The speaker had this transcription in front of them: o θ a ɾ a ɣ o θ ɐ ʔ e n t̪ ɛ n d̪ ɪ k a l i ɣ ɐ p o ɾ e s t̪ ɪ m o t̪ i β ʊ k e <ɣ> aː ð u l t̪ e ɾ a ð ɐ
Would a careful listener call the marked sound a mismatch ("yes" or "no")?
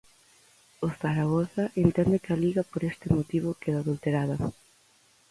yes